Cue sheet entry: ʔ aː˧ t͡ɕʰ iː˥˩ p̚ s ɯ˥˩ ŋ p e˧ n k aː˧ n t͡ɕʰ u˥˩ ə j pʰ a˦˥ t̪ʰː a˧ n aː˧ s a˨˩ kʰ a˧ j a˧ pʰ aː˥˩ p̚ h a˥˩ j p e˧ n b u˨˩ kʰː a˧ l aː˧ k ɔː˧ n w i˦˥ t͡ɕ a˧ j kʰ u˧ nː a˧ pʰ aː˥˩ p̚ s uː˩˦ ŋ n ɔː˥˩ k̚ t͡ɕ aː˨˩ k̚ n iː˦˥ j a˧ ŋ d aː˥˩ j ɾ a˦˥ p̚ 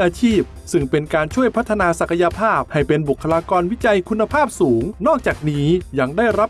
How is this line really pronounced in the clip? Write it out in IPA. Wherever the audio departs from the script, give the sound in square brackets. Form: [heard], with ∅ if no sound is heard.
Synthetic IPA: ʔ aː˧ t͡ɕʰ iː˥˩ p̚ s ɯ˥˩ ŋ p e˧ n k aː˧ n t͡ɕʰ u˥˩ ə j pʰ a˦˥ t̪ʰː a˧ n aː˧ s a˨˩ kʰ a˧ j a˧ pʰ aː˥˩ p̚ h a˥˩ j p e˧ n b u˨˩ kʰː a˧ l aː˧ k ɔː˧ n w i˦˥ t͡ɕ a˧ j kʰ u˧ nː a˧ pʰ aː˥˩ p̚ s uː˩˦ ŋ n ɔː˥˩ k̚ t͡ɕ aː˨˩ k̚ n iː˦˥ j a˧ ŋ d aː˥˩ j ɾ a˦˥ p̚